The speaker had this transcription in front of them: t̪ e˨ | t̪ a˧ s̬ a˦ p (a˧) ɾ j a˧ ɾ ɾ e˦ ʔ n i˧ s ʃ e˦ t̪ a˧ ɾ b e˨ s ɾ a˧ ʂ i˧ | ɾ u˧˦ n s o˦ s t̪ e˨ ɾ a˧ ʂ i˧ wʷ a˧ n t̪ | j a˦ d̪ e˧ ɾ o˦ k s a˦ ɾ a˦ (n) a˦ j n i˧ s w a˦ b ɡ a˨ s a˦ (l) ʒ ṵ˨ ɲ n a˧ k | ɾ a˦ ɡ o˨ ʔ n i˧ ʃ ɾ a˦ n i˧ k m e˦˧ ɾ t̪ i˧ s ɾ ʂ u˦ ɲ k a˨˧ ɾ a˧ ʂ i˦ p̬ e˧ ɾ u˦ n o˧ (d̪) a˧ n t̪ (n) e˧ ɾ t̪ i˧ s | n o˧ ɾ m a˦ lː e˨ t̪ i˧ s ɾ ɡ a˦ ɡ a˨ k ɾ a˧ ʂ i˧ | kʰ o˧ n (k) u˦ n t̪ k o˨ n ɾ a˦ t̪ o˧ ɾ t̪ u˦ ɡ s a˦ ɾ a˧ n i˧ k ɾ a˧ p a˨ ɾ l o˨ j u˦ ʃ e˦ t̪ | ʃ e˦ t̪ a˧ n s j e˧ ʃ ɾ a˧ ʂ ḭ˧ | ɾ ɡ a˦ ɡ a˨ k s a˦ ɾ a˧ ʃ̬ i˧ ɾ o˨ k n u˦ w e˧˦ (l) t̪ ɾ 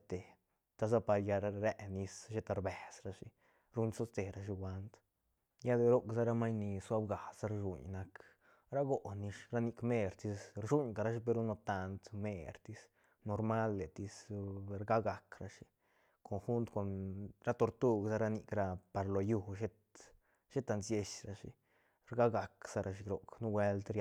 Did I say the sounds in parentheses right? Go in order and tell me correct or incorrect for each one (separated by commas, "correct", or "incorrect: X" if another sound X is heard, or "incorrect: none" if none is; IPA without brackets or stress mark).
correct, incorrect: m, incorrect: ɾ, incorrect: t̪, incorrect: m, incorrect: x, correct